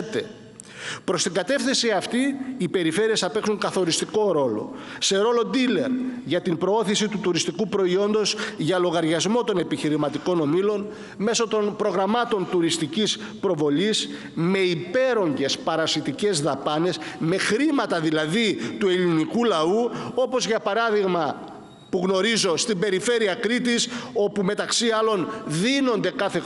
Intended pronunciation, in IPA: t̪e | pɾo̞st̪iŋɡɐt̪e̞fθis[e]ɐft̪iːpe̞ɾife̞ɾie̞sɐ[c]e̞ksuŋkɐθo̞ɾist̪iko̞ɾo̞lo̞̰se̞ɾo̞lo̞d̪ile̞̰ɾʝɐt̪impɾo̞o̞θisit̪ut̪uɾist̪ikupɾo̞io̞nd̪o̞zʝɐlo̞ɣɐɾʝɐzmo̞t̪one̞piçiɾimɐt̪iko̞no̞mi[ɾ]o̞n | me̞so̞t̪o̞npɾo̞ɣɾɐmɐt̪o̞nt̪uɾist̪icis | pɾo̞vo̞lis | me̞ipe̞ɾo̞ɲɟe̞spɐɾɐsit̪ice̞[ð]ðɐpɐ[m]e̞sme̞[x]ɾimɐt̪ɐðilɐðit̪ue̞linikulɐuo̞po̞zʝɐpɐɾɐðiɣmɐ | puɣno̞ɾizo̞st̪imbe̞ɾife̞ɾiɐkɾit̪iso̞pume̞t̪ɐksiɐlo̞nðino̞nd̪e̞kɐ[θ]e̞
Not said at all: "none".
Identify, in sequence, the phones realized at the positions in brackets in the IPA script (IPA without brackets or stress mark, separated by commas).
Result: i, p, l, z, n, x, θ